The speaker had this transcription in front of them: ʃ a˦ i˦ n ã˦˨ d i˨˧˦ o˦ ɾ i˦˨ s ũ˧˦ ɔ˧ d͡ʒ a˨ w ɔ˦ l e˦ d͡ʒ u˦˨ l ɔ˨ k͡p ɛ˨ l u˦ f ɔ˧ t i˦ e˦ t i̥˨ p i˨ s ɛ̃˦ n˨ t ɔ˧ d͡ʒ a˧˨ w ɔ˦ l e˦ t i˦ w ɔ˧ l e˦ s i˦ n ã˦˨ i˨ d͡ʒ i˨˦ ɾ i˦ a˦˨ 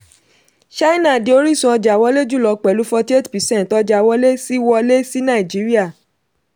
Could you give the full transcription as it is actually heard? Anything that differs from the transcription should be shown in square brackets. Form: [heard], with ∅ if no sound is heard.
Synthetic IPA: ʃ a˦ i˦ n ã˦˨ d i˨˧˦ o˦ ɾ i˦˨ s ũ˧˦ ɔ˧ d͡ʒ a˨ w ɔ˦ l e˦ d͡ʒ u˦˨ l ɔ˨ k͡p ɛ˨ l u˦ f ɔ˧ t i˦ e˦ t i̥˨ p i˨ s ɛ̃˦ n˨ t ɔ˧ d͡ʒ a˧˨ w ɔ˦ l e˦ [s] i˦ w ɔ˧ l e˦ s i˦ n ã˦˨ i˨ d͡ʒ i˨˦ ɾ i˦ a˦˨